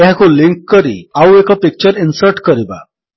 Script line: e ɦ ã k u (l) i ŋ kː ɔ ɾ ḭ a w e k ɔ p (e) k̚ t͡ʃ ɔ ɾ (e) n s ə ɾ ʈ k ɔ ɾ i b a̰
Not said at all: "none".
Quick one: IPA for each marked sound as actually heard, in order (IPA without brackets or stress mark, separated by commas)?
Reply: l, i, i